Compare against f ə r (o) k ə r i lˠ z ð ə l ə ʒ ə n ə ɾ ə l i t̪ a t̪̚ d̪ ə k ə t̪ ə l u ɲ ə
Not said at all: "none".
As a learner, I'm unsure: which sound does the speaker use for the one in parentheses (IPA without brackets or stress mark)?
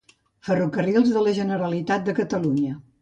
u